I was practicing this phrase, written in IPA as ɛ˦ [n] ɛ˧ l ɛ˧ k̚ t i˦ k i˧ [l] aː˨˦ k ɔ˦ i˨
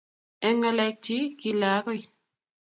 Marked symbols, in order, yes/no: no, yes

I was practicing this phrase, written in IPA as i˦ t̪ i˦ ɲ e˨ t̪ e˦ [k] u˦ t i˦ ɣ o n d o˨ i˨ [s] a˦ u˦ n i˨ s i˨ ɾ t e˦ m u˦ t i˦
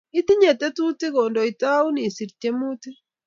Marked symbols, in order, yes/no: no, no

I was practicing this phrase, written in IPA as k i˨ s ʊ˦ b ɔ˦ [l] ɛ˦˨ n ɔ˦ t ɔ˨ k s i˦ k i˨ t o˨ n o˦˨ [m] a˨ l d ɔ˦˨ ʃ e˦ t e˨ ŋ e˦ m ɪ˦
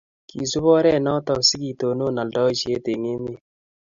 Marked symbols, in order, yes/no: no, no

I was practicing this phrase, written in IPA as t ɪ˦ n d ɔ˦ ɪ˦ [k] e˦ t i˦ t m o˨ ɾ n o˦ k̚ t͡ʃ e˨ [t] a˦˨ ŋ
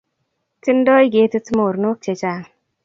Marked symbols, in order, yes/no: no, no

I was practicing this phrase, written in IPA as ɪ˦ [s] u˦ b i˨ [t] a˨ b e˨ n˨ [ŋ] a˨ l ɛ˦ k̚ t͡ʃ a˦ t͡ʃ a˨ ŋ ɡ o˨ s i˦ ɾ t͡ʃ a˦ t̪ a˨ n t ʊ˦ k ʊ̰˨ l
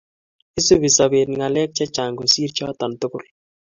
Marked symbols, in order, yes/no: yes, no, yes

